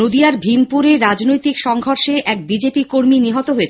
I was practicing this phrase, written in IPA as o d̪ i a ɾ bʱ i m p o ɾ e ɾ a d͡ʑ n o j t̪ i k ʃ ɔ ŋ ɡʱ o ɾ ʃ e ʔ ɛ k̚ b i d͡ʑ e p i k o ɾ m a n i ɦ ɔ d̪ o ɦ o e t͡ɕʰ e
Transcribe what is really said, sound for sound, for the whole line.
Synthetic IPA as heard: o d̪ i a ɾ bʱ i m p u ɾ e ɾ a d͡ʑ n o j t̪ i k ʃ ɔ ŋ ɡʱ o ɾ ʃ e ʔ ɛ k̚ b i d͡ʑ e p i k o ɾ m i n i ɦ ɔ t̪ o ɦ o e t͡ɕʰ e